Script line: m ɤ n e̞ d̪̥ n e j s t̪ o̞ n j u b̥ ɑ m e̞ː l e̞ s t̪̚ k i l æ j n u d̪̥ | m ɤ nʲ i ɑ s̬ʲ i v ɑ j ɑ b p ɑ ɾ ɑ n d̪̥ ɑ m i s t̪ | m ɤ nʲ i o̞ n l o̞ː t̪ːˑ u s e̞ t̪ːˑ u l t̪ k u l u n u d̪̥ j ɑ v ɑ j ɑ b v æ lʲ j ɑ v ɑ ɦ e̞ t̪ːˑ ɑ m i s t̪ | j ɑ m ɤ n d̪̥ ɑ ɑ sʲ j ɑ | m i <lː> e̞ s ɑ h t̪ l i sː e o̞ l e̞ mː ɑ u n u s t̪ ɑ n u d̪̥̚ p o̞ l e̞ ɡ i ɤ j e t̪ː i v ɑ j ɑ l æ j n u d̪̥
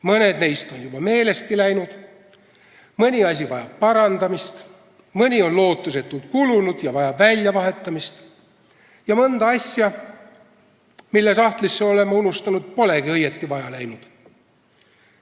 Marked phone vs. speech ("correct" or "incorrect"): correct